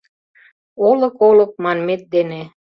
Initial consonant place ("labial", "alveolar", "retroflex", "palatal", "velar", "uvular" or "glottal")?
alveolar